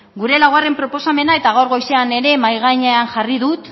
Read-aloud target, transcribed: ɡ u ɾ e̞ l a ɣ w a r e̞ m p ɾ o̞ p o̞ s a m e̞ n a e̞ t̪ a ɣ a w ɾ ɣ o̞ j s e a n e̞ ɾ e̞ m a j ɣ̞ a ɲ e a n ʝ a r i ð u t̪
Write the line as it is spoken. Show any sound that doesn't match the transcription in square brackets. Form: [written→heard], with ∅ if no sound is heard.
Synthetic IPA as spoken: ɡ u ɾ e̞ l a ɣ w a r e̞ m p ɾ o̞ p o̞ s a m e̞ n a e̞ t̪ a ɣ a w ɾ ɣ o̞ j s e a n e̞ ɾ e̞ m a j ɣ̞ a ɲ e a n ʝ a r i ð u t̪